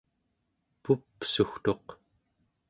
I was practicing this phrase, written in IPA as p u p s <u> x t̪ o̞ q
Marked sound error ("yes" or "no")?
no